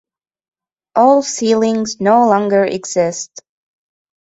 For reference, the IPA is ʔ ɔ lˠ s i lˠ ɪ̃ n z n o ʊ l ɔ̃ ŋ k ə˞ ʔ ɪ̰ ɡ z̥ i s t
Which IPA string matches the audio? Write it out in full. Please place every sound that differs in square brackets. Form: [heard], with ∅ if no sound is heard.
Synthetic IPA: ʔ ɔ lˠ s i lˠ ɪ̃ [ŋ] z n o ʊ l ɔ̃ ŋ [ɡ] ə˞ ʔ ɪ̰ ɡ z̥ [ɪ] s t